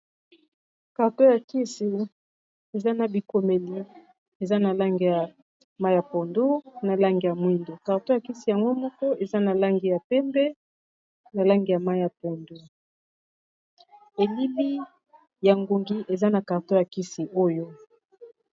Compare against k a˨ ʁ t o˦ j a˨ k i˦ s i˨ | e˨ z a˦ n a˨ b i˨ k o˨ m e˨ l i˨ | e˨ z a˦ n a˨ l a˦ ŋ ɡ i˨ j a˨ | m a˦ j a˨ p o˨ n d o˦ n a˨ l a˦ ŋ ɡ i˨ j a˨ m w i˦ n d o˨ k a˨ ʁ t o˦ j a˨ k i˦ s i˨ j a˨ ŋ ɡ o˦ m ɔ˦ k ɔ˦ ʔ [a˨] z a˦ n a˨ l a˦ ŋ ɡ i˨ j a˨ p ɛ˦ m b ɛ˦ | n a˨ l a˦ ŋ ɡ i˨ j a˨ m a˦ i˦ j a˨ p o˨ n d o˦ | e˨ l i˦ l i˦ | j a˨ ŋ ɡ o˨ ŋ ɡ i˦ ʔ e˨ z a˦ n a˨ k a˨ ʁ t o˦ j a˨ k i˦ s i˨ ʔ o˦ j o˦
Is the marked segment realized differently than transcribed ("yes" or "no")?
yes